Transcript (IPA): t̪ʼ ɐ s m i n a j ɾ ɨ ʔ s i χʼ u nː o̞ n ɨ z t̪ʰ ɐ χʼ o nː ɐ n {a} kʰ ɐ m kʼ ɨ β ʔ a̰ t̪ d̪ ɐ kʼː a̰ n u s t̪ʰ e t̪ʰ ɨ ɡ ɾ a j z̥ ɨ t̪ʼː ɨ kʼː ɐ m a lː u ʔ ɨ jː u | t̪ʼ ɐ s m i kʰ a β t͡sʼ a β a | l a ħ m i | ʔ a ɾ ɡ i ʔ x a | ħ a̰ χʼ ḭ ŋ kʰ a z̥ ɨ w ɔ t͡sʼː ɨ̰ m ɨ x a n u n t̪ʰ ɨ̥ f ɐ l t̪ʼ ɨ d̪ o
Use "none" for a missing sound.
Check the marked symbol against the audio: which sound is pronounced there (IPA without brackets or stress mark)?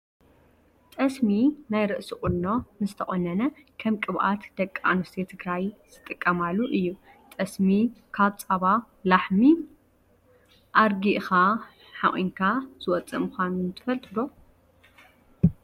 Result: ɐ